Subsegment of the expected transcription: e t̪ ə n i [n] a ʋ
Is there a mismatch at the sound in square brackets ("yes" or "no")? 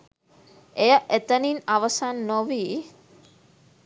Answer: no